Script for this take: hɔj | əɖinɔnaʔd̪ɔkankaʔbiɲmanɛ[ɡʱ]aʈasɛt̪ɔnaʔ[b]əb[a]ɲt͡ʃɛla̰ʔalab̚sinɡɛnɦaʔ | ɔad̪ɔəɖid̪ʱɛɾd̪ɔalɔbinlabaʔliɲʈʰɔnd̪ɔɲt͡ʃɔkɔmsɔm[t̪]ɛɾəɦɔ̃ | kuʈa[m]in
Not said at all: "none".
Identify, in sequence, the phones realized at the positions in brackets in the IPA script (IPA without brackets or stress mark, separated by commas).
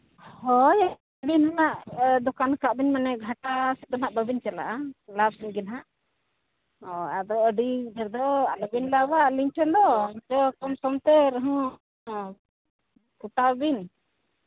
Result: ɡʱ, b, i, t̪, b